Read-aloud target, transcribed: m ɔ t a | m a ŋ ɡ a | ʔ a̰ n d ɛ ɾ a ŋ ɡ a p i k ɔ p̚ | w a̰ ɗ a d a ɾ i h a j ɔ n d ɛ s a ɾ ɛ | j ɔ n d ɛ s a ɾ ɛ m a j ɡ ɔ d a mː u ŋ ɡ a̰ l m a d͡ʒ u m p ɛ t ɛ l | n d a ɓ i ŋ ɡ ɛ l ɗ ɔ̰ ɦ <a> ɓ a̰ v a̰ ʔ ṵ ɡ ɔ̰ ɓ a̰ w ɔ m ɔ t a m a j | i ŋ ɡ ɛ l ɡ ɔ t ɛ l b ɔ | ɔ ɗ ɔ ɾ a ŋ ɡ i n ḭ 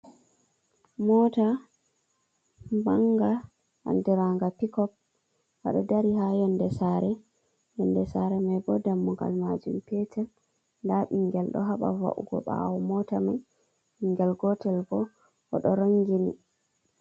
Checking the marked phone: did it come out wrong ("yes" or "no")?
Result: no